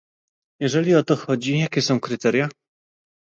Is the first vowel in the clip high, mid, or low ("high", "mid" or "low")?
mid